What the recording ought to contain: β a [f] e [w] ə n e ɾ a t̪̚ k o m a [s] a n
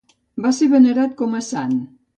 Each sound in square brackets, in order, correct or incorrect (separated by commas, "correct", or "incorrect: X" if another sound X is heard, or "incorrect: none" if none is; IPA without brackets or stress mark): incorrect: s, incorrect: β, correct